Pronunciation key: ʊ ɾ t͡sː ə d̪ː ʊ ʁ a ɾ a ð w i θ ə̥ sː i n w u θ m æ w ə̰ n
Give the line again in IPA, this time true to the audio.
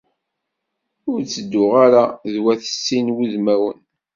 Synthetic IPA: ʊ ɾ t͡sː ə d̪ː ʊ ʁ a ɾ a ð w æ θ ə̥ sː i n w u ð m æ w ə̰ n